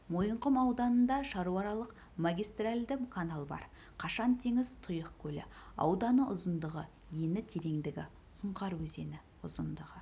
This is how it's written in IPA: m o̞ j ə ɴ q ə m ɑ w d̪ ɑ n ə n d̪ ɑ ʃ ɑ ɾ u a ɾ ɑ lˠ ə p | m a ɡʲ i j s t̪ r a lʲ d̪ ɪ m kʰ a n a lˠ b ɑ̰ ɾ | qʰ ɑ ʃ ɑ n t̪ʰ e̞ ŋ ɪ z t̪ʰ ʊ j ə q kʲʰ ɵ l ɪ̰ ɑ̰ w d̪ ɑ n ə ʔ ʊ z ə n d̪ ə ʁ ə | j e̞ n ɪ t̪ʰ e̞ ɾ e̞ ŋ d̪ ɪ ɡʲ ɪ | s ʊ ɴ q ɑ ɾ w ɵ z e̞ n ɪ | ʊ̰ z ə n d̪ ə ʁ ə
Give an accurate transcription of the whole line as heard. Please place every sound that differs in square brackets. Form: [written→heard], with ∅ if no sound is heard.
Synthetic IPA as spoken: m o̞ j ə ɴ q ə m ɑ w d̪ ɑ n ə n d̪ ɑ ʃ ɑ ɾ u [a→ɑ] ɾ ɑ lˠ ə [p→q] | m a ɡʲ i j s t̪ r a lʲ d̪ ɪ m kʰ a n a lˠ b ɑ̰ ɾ | qʰ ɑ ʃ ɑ n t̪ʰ e̞ ŋ ɪ z t̪ʰ ʊ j ə q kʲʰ ɵ l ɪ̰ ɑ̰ w d̪ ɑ n ə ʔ ʊ z ə n d̪ ə ʁ ə | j e̞ n ɪ t̪ʰ e̞ ɾ e̞ ŋ d̪ ɪ ɡʲ ɪ | s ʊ ɴ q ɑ ɾ w ɵ z e̞ n ɪ | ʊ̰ z ə n d̪ ə ʁ ə

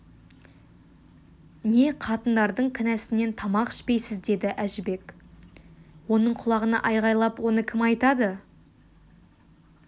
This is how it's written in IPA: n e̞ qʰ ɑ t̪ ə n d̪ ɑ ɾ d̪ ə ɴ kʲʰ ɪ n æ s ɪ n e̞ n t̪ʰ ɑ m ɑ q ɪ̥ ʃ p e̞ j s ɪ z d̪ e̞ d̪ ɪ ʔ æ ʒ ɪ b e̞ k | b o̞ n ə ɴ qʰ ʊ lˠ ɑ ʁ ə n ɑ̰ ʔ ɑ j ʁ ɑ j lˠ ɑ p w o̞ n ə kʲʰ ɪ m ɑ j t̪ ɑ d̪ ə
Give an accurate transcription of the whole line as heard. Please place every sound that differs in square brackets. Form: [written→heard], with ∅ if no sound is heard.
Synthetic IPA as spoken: n e̞ qʰ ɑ t̪ ə n d̪ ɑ ɾ d̪ ə ɴ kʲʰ ɪ n æ s ɪ n e̞ n t̪ʰ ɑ m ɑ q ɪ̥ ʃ p e̞ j s ɪ z d̪ e̞ d̪ ɪ ʔ æ ʒ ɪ b e̞ k | [b→w] o̞ n ə ɴ qʰ ʊ lˠ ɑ ʁ ə n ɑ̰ ʔ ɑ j ʁ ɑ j lˠ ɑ p w o̞ n ə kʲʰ ɪ m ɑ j t̪ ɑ d̪ ə

